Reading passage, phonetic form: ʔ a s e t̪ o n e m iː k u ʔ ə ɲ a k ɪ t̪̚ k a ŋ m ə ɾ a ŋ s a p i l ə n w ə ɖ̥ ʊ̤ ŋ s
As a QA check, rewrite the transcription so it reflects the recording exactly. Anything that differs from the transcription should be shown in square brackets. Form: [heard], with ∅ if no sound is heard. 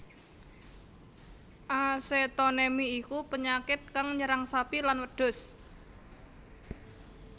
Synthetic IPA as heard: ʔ a s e t̪ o n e m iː k u [p] ə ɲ a k ɪ t̪̚ k a ŋ [ɲ] ə ɾ a ŋ s a p i l [a] n w ə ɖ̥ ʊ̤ [∅] s